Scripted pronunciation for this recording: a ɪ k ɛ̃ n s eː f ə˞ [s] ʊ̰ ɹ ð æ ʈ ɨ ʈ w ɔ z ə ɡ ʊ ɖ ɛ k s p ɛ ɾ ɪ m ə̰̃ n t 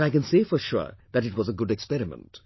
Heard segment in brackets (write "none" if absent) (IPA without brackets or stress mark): ʃ